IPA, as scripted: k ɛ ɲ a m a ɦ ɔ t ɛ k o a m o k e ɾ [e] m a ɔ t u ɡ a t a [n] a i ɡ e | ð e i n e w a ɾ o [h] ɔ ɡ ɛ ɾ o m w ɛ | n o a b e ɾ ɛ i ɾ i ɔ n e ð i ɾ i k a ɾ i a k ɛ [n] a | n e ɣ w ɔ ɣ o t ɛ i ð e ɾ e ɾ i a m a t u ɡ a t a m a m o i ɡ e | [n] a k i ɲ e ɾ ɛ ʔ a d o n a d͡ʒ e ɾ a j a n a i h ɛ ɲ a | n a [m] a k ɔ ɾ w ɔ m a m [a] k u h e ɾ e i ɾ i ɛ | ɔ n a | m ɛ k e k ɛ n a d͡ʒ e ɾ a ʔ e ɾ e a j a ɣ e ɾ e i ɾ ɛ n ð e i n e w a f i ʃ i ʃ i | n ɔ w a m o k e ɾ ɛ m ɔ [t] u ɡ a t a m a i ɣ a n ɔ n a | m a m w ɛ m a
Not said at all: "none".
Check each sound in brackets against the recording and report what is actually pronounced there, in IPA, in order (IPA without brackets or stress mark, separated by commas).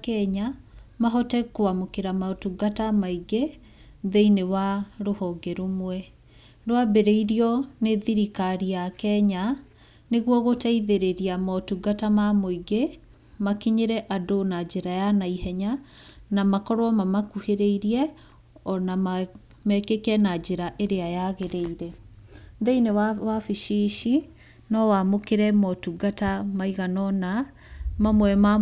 a, m, h, ɲ, m, m, a, t